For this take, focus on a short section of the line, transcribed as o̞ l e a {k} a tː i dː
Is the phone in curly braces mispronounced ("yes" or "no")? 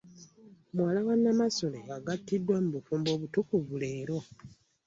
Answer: yes